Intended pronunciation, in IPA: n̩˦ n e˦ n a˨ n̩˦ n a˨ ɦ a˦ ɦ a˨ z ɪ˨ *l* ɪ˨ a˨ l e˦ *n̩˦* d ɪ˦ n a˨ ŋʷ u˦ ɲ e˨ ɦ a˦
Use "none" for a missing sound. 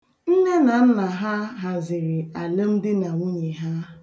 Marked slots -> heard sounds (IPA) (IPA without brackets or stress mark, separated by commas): ɾ, m̩˦